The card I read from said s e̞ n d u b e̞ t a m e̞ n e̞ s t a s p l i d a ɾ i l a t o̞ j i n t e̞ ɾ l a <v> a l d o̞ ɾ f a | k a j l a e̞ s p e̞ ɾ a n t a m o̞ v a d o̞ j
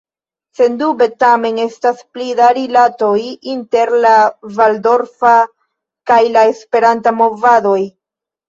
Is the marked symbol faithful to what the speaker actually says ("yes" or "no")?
yes